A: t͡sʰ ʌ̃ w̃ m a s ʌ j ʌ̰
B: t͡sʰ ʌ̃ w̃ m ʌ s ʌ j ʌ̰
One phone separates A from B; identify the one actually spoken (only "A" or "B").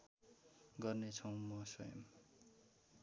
B